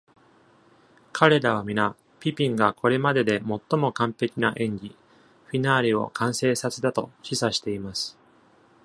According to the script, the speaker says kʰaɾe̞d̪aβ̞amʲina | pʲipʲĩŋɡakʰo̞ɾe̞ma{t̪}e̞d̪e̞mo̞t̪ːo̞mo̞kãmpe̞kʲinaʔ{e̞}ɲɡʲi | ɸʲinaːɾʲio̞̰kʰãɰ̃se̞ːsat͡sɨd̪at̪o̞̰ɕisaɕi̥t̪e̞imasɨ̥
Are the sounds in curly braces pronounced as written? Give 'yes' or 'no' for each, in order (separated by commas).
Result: no, no